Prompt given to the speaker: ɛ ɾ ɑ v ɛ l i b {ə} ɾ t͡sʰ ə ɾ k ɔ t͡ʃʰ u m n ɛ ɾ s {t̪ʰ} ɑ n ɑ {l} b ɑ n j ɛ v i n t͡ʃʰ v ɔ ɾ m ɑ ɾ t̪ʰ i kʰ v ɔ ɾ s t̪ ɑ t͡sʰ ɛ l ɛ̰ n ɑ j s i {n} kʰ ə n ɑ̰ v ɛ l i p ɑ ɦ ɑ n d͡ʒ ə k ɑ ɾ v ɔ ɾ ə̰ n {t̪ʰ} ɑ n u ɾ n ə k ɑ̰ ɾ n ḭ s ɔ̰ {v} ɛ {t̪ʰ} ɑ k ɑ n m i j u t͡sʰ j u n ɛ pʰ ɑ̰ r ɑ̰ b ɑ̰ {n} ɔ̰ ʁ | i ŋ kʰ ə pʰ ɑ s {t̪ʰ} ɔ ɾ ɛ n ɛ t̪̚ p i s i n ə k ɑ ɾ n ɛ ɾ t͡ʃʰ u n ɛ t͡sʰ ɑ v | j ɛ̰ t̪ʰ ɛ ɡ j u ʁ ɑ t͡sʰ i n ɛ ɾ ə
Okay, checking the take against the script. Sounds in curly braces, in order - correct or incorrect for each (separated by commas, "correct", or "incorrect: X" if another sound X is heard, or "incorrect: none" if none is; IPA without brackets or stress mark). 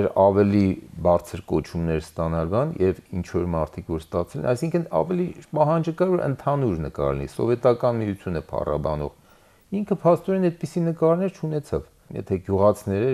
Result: incorrect: ɑ, incorrect: t̪, correct, incorrect: ŋ, correct, correct, incorrect: t̪, correct, incorrect: t̪